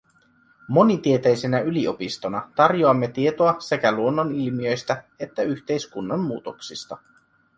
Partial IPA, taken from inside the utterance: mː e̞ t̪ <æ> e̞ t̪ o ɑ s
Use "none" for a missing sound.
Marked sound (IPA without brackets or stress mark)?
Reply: i